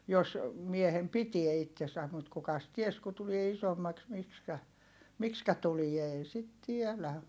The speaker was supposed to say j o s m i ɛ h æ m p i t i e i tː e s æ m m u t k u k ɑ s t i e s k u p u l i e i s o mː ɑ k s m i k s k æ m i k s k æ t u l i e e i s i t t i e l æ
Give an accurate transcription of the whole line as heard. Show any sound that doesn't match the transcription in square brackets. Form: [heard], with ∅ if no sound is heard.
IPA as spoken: j o s m i [e] h [e] m p i t i e i tː e s æ m m u t k u k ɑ s t i e s k u [t] u l i e i s o mː ɑ k s m i k s k æ m i k s k æ t u l i e e i s i t t i e l æ